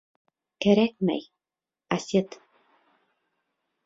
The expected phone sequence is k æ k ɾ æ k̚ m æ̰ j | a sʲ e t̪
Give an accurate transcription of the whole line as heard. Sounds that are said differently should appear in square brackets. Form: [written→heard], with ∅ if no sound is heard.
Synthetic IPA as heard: k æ [k→∅] ɾ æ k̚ m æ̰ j | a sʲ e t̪